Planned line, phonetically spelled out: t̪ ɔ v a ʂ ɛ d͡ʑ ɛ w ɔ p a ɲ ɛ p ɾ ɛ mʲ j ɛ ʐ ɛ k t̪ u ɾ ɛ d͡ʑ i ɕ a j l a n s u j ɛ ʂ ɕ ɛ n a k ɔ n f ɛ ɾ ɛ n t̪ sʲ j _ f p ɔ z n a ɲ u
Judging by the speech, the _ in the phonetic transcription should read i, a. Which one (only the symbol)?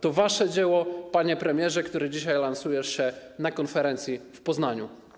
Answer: i